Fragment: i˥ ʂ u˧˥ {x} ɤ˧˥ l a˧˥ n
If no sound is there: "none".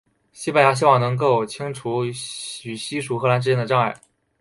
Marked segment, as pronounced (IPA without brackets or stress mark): x